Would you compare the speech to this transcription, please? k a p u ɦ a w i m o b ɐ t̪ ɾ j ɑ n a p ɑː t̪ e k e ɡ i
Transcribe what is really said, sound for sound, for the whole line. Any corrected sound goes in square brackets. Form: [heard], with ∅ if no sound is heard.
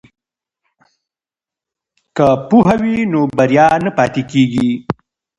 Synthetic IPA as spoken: k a p u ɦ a w i [n] o b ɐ [∅] ɾ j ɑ n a p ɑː t̪ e k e ɡ i